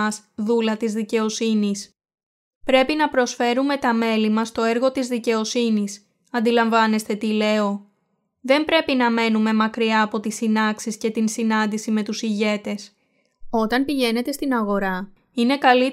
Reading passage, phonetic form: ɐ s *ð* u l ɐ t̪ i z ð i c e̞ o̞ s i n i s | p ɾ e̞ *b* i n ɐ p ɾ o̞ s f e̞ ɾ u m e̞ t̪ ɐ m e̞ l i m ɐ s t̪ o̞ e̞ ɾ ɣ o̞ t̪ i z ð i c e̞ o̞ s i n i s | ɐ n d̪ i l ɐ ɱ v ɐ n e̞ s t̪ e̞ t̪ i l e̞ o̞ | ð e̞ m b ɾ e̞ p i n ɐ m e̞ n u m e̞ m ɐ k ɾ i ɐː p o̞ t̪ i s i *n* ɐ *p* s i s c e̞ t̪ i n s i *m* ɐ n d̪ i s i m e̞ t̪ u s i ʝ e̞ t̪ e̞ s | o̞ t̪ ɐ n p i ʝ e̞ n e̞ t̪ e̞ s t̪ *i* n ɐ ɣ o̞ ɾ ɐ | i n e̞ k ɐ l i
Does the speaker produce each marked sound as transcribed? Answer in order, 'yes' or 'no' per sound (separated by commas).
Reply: yes, no, yes, no, no, yes